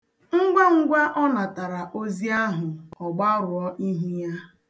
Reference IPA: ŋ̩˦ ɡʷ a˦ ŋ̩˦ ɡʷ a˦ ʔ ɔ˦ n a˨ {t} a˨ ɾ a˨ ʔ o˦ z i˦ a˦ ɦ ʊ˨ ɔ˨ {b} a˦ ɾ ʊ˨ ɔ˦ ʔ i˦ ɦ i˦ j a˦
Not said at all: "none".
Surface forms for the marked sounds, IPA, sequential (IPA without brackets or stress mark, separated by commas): t, ɡ͡b